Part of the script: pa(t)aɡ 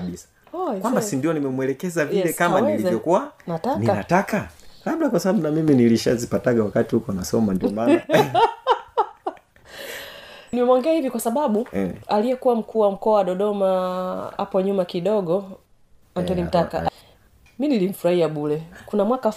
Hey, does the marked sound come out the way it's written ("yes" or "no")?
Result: yes